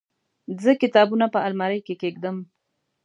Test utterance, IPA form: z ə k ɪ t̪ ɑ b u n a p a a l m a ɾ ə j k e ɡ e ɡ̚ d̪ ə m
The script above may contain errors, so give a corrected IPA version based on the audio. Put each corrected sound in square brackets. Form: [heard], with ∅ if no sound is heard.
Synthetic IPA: z ə k ɪ t̪ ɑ b u n a p [ə] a l m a ɾ ə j k e [k] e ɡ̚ d̪ ə m